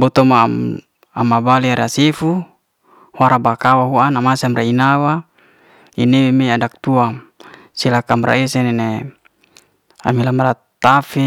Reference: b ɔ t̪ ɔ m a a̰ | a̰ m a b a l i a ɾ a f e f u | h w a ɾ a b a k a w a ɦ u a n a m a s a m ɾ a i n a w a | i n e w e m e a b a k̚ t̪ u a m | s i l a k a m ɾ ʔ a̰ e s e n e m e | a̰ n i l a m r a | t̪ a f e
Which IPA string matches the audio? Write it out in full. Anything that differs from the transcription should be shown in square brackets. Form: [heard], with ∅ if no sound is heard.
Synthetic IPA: b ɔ t̪ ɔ m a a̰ | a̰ m a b a l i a ɾ a [s] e f u | h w a ɾ a b a k a w a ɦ u a n a m a s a m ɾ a i n a w a | i n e w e m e a [d] a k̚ t̪ u a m | s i l a k a m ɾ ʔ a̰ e s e n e [n] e | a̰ [m] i l a m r a | t̪ a f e